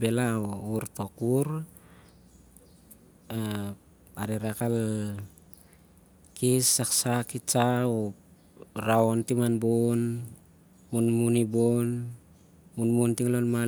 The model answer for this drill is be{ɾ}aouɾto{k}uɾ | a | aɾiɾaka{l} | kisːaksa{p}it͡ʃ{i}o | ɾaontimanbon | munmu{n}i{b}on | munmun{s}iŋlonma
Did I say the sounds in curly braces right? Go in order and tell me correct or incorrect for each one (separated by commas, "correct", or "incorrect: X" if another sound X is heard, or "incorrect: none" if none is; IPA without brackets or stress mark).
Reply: incorrect: l, correct, correct, incorrect: k, incorrect: a, correct, correct, incorrect: t